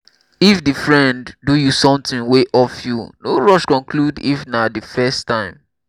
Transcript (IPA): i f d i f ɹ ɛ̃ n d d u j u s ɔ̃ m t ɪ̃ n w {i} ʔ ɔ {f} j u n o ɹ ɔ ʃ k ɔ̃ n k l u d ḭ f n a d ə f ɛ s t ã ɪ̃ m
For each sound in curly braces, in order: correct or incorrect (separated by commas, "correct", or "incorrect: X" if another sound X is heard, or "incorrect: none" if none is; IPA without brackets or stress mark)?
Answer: incorrect: e, correct